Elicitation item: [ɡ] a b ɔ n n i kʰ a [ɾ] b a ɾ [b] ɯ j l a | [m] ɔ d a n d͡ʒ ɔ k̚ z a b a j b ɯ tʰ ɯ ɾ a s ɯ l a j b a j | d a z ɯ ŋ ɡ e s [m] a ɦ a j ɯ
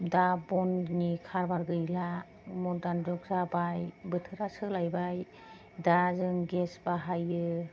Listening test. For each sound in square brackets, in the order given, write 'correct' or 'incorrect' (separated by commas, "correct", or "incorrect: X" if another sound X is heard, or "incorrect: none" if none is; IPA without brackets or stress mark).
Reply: incorrect: d, correct, incorrect: ɡ, correct, incorrect: b